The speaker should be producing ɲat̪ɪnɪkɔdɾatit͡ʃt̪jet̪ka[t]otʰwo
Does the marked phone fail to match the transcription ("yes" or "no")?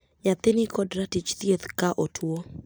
yes